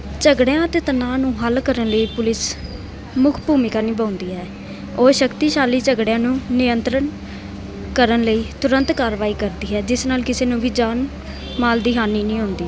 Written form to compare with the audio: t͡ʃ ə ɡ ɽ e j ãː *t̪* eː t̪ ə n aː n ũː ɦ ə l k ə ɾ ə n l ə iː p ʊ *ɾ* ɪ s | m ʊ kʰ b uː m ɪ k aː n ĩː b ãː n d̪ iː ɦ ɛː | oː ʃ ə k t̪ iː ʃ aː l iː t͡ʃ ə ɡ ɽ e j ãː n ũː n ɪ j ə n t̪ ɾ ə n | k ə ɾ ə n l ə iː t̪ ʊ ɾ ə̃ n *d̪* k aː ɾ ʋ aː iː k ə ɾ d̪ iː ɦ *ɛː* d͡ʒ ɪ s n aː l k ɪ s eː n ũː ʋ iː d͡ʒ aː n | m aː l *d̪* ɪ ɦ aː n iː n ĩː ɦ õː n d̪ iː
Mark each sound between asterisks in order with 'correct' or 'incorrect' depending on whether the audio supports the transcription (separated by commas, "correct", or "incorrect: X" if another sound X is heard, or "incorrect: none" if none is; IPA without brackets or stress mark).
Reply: correct, incorrect: l, incorrect: t̪, correct, correct